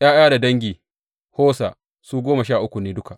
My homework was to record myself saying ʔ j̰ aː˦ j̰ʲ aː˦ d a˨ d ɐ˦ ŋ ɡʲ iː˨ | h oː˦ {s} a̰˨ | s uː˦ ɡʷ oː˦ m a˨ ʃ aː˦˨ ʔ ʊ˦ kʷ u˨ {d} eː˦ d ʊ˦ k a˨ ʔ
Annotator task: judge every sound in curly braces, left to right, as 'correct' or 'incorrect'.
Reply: correct, incorrect: n

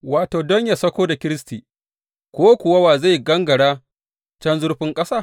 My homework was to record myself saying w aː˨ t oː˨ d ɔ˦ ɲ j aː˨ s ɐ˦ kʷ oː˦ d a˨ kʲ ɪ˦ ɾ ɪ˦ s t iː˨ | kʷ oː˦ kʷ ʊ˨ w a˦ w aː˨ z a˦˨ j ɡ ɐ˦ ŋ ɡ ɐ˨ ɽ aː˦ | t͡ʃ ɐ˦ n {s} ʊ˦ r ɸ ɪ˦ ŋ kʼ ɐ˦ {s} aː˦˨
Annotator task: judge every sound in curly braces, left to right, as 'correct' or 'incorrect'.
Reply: incorrect: z, correct

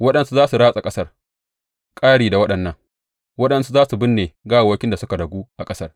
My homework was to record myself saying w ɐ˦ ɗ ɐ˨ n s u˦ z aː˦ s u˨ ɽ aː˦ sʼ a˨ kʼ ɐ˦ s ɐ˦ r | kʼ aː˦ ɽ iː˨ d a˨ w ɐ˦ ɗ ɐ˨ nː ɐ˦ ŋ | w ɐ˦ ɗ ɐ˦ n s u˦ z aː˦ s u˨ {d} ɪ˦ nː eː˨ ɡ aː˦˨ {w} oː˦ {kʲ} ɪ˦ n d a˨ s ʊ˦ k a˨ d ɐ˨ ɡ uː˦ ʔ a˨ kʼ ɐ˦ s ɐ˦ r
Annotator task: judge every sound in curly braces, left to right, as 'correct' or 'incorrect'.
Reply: incorrect: b, correct, correct

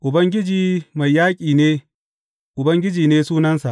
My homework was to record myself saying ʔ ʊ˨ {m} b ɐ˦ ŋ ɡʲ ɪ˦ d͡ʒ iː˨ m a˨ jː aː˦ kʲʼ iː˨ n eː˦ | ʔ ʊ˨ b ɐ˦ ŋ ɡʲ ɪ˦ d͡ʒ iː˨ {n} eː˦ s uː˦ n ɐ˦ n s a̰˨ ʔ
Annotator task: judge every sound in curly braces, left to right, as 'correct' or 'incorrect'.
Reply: incorrect: none, correct

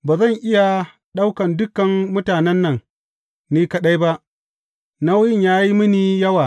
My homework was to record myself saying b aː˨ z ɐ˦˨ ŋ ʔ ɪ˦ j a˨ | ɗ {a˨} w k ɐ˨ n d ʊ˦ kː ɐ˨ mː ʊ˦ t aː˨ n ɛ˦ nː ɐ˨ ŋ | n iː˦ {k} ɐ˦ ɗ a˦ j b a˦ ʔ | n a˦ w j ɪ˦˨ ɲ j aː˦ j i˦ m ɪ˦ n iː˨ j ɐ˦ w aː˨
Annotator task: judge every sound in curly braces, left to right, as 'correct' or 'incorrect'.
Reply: incorrect: a˦, correct

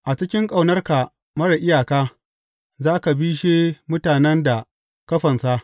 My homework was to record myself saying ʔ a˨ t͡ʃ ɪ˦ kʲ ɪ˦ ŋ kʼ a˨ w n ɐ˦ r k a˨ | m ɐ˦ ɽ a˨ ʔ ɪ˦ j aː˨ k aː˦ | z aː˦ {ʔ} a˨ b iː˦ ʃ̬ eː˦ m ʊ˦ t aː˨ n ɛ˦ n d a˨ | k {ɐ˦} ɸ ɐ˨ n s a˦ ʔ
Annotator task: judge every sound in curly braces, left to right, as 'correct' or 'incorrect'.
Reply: incorrect: k, correct

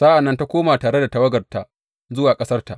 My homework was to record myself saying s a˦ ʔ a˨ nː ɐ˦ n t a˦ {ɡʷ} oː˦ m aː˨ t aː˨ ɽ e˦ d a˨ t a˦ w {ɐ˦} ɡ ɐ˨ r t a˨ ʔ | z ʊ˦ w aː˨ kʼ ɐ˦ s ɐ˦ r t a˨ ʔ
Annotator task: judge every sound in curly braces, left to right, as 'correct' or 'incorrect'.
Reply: incorrect: kʷ, correct

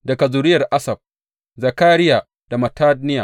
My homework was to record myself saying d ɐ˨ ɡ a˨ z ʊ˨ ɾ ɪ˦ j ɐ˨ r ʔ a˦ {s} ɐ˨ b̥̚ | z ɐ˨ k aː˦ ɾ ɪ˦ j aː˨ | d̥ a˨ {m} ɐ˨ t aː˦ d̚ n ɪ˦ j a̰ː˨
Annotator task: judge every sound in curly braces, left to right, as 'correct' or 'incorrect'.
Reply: correct, correct

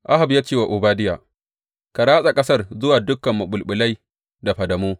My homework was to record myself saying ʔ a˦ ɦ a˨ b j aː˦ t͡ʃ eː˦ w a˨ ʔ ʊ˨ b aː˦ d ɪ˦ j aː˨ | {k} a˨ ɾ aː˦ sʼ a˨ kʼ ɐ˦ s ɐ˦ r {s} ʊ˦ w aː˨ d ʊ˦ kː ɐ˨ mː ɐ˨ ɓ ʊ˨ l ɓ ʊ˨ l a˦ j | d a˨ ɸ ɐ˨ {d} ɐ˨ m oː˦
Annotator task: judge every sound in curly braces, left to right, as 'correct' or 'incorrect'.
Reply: correct, incorrect: z, correct

